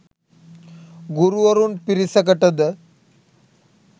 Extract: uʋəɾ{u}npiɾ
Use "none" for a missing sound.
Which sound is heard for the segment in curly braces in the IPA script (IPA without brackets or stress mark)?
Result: uː